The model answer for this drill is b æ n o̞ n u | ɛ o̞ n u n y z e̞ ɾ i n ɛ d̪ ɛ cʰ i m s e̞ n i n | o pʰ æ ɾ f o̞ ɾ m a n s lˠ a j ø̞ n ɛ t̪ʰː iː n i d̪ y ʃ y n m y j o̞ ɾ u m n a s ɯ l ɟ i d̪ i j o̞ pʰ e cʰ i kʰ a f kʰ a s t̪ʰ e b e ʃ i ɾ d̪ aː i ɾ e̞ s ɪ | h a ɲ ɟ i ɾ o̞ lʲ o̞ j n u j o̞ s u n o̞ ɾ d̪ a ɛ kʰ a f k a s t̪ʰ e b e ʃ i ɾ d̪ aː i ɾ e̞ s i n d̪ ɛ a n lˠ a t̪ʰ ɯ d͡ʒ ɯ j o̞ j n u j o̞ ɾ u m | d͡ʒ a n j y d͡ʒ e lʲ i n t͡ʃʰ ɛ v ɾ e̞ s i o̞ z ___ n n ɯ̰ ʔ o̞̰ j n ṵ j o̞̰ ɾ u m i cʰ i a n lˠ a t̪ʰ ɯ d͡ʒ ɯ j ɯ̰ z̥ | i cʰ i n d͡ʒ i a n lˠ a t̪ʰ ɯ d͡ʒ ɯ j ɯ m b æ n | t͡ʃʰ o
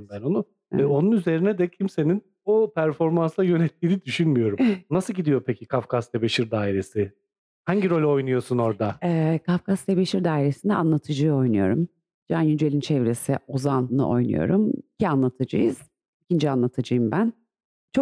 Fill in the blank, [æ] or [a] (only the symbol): a